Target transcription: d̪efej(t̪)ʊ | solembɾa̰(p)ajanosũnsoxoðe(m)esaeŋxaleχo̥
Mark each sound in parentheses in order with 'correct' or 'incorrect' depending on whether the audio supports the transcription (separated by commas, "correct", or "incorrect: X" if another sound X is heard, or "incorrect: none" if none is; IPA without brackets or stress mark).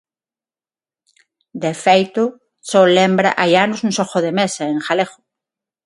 correct, incorrect: ʔ, correct